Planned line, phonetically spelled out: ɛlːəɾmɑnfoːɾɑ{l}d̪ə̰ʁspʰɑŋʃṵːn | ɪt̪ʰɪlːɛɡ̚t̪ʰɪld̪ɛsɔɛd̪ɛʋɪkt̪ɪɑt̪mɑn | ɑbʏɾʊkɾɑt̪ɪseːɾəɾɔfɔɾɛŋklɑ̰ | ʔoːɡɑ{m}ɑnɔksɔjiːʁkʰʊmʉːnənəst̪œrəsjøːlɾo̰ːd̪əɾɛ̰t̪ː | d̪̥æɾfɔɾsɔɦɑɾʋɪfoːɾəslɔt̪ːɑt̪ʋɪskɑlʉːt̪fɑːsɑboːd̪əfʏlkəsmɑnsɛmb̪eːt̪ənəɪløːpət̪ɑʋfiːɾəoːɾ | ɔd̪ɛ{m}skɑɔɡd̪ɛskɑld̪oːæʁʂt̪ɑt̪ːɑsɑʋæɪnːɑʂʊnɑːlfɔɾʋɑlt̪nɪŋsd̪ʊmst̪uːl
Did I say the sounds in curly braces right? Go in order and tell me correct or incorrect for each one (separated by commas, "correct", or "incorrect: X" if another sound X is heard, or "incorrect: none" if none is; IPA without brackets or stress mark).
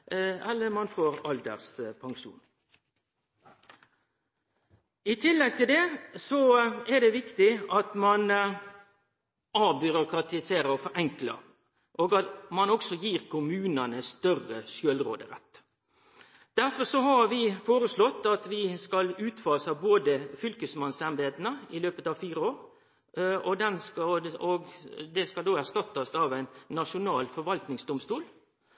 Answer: correct, correct, incorrect: n